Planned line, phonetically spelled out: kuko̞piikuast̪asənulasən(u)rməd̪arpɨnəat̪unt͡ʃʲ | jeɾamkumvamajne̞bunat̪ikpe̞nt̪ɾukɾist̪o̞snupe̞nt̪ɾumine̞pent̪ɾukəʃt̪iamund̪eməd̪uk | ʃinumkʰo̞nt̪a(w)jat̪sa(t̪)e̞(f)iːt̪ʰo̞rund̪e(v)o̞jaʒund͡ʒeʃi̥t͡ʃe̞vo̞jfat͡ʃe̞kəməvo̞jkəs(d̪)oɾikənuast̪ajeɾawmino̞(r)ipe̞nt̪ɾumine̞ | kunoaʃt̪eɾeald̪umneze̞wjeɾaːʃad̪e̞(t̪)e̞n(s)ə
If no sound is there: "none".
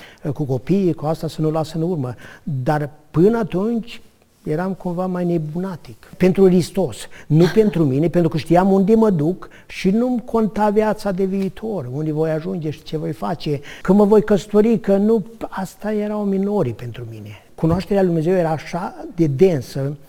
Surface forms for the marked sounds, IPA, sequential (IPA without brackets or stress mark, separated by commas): u, v, d̪, v, v, t̪, ɾ, d̪, s